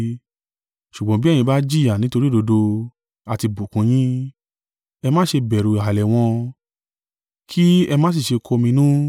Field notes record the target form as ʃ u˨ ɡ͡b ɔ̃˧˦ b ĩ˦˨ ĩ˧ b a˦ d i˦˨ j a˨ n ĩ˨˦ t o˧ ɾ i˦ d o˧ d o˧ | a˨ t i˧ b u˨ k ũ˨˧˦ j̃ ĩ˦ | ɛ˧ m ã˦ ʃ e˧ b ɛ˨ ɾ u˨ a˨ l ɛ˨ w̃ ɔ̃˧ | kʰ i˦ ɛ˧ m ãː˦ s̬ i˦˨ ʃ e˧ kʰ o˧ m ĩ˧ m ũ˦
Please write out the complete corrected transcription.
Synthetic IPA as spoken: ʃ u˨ ɡ͡b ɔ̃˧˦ b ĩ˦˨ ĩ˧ b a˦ d͡ʒ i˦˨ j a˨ n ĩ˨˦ t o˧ ɾ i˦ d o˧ d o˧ | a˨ t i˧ b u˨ k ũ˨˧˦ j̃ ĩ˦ | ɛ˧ m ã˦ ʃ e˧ b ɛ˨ ɾ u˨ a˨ l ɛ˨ w̃ ɔ̃˧ | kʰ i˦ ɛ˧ m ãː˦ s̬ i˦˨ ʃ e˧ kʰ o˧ m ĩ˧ n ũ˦